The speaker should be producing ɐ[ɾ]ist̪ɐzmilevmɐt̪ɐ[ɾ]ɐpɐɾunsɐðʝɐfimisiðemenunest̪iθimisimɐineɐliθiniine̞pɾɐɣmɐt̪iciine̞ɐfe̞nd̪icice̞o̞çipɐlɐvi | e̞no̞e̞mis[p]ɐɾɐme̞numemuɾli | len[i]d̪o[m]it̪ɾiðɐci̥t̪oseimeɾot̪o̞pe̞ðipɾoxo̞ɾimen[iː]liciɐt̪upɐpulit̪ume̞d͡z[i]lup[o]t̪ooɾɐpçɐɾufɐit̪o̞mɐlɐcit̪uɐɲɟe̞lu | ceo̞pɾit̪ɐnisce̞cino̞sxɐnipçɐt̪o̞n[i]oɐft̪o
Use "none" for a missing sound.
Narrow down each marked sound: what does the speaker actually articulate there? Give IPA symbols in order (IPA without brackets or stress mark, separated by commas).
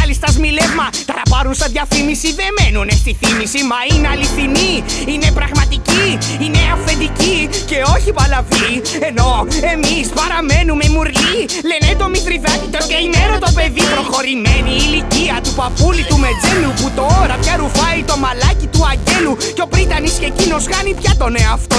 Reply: l, ɾ, p, e, m, iː, e, u, e